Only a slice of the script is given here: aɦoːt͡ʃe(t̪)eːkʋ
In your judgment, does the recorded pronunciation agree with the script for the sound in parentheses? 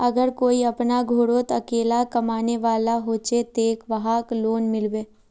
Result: yes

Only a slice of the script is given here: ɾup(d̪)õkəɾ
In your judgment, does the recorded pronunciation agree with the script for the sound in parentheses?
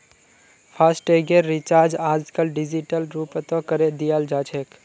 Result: no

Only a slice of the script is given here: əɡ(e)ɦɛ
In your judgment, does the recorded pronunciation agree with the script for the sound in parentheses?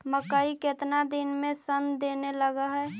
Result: no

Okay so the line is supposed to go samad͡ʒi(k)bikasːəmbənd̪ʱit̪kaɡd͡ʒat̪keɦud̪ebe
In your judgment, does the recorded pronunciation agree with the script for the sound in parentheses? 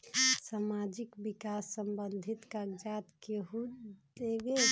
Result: yes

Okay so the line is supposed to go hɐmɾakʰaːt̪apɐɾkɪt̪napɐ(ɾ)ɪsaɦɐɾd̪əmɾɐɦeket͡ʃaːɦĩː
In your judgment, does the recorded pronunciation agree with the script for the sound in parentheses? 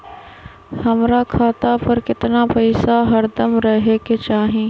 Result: no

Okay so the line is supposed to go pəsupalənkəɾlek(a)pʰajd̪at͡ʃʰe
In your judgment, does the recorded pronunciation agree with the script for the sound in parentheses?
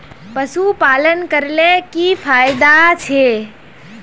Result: no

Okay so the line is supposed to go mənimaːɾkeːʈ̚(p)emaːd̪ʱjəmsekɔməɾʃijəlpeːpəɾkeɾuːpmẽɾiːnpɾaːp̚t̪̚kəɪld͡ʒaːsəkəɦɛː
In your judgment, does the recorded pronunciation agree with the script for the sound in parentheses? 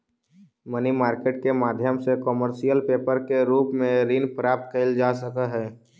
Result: no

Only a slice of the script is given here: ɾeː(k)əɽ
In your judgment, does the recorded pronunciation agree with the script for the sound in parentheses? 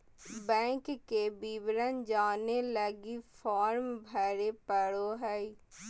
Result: no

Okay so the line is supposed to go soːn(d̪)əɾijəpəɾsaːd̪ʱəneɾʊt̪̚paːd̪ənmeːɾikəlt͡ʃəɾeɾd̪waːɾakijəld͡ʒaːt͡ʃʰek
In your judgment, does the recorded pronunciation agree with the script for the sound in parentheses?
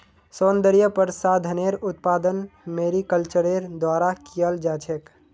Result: yes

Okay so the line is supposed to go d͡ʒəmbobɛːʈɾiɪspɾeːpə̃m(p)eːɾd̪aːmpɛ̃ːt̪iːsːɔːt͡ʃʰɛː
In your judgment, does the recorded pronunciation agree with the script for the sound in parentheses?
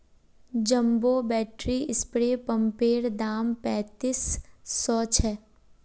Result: yes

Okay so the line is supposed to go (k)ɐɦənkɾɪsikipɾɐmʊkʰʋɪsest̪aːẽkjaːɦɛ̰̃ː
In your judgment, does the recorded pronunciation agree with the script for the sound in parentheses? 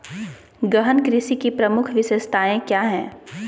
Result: no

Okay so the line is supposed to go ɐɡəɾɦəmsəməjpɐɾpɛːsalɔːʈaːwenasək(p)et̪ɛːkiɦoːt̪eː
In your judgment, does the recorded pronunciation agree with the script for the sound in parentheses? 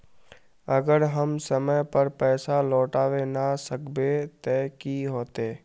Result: no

